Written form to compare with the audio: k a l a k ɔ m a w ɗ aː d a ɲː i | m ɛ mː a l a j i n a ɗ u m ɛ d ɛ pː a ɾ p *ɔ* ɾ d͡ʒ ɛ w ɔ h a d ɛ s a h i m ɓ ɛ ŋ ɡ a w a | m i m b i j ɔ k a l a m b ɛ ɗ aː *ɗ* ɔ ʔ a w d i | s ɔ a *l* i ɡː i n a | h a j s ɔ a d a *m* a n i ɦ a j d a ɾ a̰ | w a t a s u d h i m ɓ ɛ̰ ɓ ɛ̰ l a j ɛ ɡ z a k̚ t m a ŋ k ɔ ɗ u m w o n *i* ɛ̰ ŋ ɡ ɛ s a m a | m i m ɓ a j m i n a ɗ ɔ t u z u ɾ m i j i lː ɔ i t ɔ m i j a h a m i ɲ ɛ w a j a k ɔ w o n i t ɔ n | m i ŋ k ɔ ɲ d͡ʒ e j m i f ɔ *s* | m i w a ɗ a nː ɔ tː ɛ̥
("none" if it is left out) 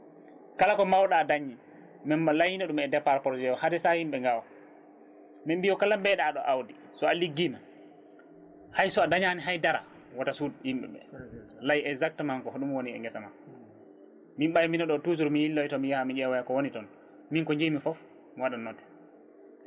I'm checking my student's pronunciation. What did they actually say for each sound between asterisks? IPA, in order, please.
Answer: ɔ, ɗ, l, ɲ, i, f

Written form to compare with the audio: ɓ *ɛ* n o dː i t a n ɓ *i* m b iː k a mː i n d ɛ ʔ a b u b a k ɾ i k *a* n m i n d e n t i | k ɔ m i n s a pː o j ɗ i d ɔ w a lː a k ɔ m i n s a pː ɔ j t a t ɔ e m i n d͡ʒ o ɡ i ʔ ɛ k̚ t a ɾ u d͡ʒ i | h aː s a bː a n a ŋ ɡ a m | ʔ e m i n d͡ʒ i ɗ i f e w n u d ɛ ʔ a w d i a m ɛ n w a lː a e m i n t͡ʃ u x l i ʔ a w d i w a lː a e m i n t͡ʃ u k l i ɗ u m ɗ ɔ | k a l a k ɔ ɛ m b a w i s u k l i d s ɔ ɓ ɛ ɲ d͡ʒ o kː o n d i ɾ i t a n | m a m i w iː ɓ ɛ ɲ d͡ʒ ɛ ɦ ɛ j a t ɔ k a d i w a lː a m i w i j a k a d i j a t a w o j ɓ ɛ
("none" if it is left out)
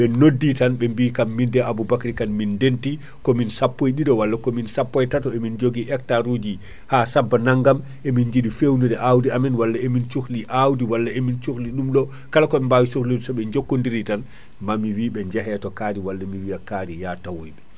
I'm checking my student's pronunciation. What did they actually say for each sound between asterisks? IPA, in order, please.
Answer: ɛ, ɛ, a

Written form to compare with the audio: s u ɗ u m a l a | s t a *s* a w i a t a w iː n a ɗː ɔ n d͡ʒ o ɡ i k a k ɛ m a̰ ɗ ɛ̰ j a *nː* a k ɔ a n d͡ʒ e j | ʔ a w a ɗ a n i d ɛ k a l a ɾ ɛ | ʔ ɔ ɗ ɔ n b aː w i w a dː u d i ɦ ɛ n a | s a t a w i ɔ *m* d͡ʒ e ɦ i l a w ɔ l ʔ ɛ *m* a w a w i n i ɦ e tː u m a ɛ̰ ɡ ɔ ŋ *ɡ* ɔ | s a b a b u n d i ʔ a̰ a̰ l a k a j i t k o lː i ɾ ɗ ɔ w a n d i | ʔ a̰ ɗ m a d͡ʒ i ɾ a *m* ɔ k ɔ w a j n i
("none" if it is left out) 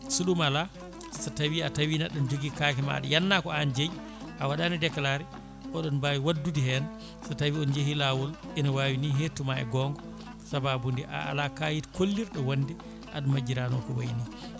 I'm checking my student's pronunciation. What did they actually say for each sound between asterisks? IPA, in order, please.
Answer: t, nː, n, n, ɡ, n

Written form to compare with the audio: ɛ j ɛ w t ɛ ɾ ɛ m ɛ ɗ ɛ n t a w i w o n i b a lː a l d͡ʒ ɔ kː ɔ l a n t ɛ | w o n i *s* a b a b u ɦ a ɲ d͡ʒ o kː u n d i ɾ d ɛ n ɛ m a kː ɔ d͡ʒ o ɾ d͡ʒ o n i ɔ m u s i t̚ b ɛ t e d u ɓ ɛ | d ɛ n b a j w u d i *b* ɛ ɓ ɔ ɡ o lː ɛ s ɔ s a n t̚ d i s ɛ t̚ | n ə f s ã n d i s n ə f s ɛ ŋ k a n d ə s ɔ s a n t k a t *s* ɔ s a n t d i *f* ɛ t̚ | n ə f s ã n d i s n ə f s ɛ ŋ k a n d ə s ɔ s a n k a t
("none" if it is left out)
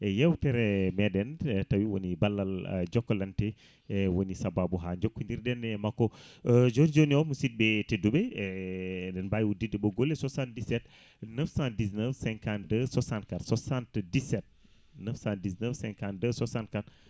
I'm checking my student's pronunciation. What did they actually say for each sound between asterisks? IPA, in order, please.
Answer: s, d, s, s

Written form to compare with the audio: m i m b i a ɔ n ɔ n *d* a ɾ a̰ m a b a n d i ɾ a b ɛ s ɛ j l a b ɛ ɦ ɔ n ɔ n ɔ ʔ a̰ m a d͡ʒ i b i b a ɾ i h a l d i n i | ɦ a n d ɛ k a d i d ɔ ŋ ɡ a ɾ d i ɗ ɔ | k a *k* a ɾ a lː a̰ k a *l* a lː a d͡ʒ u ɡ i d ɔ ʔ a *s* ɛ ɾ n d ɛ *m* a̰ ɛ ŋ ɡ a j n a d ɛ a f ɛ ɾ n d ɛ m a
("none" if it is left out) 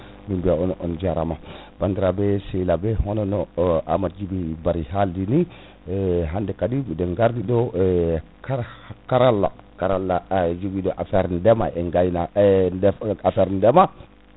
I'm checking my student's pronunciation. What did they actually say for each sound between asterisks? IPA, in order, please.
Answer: d͡ʒ, k, ɾ, f, m

